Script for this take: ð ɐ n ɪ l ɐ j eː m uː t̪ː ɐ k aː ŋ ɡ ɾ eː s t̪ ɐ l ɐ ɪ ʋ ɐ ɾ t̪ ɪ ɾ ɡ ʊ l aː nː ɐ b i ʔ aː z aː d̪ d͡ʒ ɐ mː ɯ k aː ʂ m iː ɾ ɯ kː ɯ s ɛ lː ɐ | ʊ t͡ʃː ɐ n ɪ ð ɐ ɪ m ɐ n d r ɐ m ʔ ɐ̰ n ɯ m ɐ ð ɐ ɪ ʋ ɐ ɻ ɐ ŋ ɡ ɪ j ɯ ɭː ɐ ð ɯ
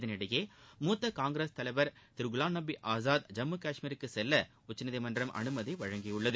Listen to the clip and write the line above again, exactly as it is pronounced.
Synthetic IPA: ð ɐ n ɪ ɽ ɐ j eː m uː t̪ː ɐ k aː ŋ ɡ ɾ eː s t̪ ɐ l ɐ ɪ ʋ ɐ ɾ t̪ ɪ ɾ ɡ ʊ l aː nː ɐ b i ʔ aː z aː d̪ d͡ʒ ɐ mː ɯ k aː ʂ m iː ɾ ɯ kː ɯ s ɛ lː ɐ | ʊ t͡ʃː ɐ n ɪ ð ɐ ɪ m ɐ n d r ɐ m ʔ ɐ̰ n ɯ m ɐ ð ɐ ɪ ʋ ɐ ɻ ɐ ŋ ɡ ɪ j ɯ ɭː ɐ ð ɯ

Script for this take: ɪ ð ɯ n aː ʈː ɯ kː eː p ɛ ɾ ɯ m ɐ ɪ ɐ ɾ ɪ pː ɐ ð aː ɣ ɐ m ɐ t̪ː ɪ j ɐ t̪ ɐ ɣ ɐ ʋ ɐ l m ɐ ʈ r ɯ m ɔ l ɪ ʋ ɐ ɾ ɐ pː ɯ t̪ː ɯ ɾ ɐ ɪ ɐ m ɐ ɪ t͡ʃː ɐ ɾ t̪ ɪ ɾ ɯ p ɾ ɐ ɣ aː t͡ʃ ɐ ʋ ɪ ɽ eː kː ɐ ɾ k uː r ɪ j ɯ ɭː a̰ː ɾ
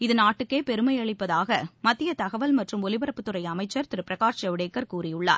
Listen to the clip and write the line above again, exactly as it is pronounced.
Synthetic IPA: ɪ ð ɯ n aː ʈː ɯ kː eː p ɛ ɾ ɯ m ɐ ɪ ɐ ɭ ɪ pː ɐ ð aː ɣ ɐ m ɐ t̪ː ɪ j ɐ t̪ ɐ ɣ ɐ ʋ ɐ l m ɐ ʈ r ɯ m ɔ l ɪ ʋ ɐ ɾ ɐ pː ɯ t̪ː ɯ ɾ ɐ ɪ ɐ m ɐ ɪ t͡ʃː ɐ ɾ t̪ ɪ ɾ ɯ p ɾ ɐ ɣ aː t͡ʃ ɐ ʋ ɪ ɽ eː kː ɐ ɾ k uː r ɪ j ɯ ɭː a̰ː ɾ

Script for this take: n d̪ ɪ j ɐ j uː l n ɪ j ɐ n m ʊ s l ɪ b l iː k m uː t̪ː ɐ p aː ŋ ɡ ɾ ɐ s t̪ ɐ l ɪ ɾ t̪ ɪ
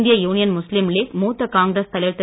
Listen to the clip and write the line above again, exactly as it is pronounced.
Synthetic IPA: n d̪ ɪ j ɐ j uː n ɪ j ɐ n m ʊ s l ɪ m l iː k m uː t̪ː ɐ k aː ŋ ɡ ɾ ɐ s t̪ ɐ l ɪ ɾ t̪ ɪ

